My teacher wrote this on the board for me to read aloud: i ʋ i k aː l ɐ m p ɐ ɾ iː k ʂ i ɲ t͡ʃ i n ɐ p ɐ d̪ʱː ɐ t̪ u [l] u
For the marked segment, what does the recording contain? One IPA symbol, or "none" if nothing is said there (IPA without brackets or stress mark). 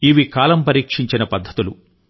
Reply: l